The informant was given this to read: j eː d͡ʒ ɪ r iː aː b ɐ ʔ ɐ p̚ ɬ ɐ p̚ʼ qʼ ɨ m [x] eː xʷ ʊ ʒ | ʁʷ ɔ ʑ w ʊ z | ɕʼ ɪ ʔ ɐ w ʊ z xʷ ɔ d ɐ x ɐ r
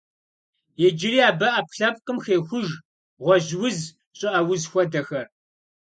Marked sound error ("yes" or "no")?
no